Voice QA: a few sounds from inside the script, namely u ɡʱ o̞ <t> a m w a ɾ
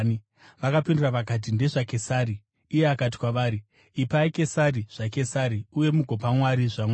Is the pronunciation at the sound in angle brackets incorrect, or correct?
incorrect